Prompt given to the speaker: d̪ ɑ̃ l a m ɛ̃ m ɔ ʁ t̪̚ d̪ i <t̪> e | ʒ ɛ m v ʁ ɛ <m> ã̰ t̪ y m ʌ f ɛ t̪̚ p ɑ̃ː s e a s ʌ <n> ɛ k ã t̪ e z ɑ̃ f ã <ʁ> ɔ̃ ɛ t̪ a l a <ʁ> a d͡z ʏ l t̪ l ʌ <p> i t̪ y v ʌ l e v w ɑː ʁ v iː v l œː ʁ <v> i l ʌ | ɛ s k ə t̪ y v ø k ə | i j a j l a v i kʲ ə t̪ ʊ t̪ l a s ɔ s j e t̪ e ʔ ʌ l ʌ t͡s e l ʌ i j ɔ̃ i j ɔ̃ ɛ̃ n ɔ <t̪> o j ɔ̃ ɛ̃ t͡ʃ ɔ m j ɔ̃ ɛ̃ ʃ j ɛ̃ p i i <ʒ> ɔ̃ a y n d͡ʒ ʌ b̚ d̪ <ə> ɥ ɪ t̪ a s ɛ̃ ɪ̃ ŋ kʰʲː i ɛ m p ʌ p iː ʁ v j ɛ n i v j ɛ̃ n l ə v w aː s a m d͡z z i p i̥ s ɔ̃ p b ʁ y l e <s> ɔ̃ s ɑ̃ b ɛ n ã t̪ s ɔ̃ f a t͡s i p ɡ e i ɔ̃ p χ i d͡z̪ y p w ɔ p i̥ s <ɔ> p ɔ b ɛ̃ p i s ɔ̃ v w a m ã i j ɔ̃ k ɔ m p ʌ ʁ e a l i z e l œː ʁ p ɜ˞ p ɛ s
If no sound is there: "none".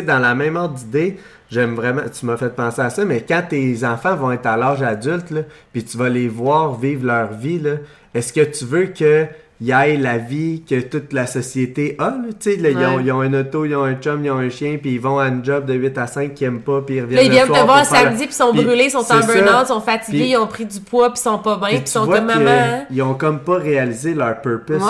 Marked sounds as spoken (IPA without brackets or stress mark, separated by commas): d̪, m, m, v, ʒ, p, v, t̪, v, ə, s, ɔ̃